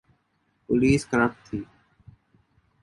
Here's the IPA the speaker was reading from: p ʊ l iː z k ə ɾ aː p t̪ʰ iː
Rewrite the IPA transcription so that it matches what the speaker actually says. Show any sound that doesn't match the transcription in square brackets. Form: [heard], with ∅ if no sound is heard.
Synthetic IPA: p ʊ l iː [s] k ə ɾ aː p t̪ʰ iː